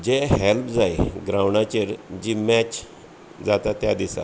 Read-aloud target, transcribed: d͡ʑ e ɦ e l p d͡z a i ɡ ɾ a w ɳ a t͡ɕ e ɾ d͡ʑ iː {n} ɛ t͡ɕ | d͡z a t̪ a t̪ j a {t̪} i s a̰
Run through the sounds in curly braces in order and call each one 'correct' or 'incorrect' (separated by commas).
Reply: incorrect, incorrect